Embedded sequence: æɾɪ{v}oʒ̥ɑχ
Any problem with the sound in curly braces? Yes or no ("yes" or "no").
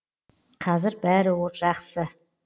yes